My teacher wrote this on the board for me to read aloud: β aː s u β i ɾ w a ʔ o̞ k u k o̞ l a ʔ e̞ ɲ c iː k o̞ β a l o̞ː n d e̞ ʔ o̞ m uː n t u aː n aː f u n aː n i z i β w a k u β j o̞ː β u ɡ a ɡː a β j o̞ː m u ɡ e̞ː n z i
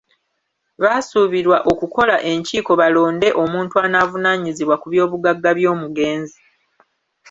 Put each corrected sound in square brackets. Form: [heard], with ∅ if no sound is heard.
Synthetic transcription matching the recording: β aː s u β i ɾ w a ʔ o̞ k u k o̞ l a ʔ e̞ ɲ c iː k o̞ β a l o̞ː n d e̞ ʔ o̞ m uː n t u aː n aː [v] u n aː [ɲ] i z i β w a k u β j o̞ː β u ɡ a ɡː a β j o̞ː m u ɡ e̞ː n z i